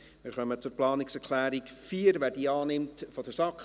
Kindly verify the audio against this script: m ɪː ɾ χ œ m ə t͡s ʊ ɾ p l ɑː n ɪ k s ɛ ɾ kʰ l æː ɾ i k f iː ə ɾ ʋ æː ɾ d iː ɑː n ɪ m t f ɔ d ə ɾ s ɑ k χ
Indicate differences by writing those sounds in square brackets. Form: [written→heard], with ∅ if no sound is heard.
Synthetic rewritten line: m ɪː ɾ χ œ m ə t͡s ʊ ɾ p l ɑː n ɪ k s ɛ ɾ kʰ l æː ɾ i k f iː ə ɾ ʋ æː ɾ d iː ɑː n ɪ m t f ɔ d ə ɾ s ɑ k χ